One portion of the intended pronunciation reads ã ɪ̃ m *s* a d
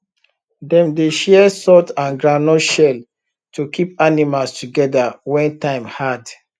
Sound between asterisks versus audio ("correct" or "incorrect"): incorrect